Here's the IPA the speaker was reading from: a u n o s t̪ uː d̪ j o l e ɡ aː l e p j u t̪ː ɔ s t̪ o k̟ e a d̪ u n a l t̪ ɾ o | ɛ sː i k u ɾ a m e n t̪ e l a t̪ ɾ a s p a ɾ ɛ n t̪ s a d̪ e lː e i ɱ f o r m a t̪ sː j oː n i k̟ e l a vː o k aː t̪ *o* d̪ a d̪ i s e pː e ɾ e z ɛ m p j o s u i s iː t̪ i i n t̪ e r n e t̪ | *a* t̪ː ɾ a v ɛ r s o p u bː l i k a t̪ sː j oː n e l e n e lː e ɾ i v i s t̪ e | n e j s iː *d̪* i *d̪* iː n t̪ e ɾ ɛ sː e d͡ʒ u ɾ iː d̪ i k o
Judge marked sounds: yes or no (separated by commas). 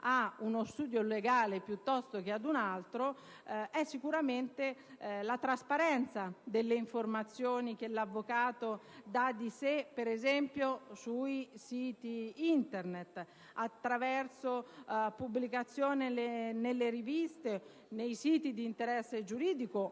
yes, yes, no, yes